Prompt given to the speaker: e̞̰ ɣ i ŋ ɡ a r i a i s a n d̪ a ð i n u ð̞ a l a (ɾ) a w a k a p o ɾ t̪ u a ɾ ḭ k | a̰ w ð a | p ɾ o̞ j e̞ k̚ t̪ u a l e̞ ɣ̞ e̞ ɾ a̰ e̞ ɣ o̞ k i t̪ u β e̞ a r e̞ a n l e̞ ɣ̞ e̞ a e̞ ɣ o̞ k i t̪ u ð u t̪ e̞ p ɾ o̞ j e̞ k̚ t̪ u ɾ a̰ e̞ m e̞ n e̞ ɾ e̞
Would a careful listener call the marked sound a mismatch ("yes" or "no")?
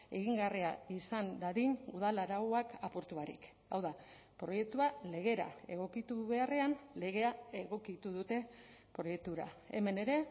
no